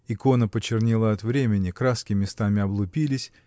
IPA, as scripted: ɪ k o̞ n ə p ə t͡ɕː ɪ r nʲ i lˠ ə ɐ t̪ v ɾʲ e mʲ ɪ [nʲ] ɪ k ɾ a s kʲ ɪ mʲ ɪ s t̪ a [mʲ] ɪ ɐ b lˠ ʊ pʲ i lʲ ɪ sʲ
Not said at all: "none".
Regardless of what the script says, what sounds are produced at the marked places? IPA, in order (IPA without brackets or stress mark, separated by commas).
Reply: nʲ, mʲ